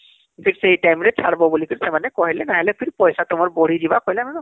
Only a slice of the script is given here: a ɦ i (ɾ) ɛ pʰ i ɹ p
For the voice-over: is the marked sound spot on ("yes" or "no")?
no